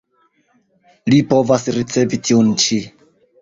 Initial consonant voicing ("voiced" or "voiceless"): voiced